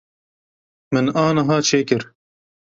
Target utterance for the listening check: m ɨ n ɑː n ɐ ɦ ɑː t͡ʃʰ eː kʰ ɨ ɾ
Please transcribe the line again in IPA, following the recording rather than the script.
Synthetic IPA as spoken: m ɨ n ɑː n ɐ ɦ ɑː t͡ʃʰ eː k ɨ ɾ